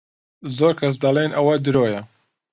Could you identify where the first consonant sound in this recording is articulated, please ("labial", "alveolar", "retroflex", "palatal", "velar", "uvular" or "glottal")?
alveolar